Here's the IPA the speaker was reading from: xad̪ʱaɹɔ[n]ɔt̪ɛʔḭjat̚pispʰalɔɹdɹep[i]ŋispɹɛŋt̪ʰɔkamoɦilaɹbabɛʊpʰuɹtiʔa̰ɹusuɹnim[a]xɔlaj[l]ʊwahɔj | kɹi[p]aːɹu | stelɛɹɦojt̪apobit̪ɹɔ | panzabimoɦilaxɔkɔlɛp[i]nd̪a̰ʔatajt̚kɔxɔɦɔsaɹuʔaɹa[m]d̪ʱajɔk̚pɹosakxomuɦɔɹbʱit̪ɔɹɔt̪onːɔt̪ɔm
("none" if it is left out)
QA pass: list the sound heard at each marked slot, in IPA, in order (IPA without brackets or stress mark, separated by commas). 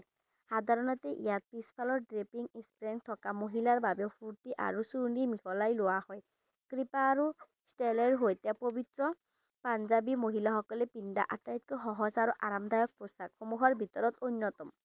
n, i, i, l, p, i, m